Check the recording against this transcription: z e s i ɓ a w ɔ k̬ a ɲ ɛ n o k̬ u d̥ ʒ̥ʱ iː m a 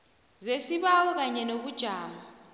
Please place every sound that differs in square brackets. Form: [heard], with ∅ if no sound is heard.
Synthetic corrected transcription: z e s i ɓ a w ɔ k̬ a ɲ ɛ n o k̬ u d̥ ʒ̥ʱ [aː] m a